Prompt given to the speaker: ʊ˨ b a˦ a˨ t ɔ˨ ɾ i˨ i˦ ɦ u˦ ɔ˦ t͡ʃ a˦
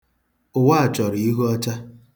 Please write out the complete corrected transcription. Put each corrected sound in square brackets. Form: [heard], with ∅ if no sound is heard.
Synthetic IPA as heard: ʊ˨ [w] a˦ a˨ [t͡ʃ] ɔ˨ ɾ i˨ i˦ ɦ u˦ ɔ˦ t͡ʃ a˦